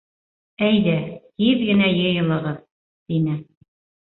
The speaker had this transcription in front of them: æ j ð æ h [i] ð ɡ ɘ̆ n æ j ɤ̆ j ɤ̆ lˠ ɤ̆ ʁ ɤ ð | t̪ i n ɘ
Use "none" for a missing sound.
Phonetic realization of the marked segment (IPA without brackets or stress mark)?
i